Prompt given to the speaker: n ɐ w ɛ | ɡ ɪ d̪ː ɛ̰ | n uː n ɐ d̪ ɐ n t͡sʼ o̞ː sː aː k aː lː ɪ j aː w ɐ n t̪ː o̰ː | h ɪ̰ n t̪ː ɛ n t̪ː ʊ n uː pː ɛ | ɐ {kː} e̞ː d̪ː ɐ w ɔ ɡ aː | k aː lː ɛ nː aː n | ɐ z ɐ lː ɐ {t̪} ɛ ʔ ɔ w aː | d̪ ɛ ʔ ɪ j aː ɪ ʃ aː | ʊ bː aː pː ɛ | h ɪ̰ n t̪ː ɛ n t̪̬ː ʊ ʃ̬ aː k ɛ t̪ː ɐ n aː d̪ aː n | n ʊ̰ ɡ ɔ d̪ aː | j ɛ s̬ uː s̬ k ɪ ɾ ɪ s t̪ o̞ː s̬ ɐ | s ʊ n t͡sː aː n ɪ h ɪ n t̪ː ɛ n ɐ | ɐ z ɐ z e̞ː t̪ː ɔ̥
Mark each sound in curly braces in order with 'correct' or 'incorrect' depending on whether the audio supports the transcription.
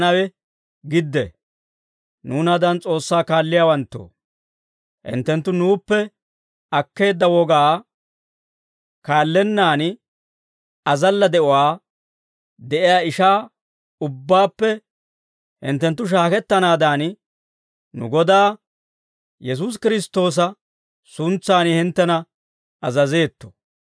correct, incorrect: d̪

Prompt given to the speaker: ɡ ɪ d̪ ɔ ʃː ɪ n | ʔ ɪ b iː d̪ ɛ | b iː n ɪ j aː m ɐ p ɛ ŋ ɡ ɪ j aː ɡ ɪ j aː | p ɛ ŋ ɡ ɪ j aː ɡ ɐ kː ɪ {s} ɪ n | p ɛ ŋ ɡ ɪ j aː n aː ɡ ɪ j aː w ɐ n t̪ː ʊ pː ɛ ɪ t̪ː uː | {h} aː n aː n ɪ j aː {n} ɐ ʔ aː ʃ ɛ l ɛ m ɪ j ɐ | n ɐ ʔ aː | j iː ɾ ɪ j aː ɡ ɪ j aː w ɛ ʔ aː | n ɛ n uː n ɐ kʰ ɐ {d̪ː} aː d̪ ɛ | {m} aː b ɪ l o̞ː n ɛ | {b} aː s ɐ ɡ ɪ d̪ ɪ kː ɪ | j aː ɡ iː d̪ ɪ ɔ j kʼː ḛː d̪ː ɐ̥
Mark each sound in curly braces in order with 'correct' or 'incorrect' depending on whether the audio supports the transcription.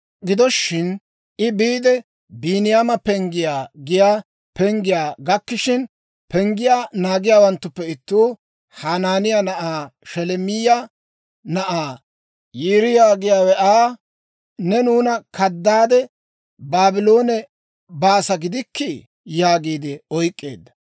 incorrect: ʃ, correct, correct, correct, incorrect: b, correct

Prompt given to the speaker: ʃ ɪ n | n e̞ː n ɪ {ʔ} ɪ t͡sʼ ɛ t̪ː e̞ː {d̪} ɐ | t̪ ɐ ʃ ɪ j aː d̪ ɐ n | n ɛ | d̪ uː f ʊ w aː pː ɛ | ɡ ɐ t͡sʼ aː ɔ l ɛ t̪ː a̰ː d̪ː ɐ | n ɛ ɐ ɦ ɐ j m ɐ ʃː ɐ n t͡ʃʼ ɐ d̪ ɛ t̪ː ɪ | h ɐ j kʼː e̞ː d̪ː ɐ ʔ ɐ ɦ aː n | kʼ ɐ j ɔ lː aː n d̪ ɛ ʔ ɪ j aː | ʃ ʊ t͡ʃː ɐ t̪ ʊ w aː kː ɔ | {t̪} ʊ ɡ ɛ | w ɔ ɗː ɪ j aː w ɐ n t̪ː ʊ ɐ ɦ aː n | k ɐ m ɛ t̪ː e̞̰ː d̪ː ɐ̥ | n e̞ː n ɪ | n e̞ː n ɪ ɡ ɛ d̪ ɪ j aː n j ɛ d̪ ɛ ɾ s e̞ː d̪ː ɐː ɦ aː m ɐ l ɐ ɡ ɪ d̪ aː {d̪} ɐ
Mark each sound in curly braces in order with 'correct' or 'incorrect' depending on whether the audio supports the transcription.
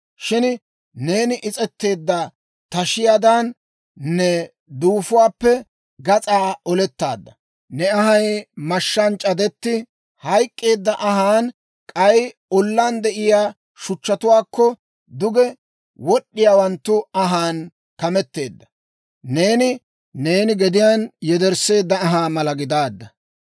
correct, incorrect: d̪ː, incorrect: d̪, incorrect: d̪ː

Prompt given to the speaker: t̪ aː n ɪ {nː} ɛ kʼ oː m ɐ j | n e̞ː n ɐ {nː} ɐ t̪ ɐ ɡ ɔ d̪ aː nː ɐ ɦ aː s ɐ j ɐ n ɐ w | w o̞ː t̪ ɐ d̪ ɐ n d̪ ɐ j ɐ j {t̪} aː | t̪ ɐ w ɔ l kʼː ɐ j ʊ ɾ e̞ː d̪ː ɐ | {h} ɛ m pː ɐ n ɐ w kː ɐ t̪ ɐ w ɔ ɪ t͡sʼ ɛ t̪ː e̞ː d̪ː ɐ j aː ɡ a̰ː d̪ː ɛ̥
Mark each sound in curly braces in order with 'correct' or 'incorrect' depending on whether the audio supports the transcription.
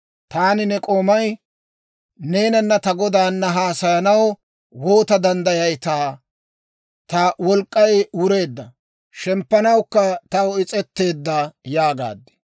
incorrect: n, correct, correct, incorrect: ʃ

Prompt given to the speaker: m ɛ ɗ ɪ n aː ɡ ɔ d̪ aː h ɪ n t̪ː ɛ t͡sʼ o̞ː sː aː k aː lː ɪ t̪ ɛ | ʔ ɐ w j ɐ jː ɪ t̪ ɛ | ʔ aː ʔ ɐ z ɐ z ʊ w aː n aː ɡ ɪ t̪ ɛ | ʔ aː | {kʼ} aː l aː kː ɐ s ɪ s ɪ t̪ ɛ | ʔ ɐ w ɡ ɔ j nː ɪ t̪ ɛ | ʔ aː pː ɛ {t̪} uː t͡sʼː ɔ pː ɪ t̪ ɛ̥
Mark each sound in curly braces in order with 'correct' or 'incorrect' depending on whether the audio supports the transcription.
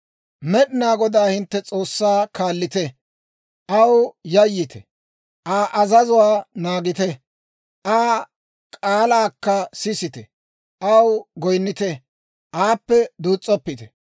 correct, incorrect: d̪

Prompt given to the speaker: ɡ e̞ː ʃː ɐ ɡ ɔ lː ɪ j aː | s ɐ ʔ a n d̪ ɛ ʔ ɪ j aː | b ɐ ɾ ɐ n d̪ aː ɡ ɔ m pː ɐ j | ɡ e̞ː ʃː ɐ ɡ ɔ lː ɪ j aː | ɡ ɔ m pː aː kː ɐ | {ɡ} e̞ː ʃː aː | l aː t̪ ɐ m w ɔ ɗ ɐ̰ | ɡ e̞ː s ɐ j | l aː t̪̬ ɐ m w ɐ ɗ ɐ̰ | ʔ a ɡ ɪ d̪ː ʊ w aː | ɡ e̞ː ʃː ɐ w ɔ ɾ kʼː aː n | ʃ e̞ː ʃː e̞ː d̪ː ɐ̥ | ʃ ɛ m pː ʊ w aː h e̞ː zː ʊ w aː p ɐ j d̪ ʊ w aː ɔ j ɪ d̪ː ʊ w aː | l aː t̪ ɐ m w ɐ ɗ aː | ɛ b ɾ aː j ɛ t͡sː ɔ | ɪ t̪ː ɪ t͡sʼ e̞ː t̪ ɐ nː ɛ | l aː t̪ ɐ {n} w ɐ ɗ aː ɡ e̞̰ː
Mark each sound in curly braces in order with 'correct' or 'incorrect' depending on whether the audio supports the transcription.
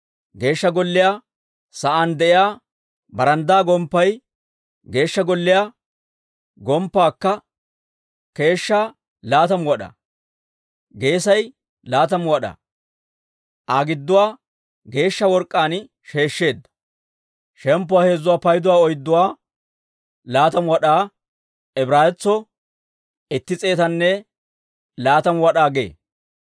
incorrect: k, incorrect: m

